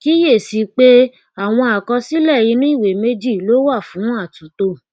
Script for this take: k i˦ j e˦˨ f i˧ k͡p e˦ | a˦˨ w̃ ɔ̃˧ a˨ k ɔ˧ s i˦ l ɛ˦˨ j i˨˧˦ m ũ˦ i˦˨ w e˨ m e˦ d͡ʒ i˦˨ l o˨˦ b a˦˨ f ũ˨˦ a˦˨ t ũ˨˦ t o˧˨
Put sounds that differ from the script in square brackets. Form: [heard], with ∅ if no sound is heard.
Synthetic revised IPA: k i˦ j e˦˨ [s] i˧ k͡p e˦ | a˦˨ w̃ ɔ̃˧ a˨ k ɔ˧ s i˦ l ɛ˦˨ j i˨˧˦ [n] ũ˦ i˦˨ w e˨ m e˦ d͡ʒ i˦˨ l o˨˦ [w] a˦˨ f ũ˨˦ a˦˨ t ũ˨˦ t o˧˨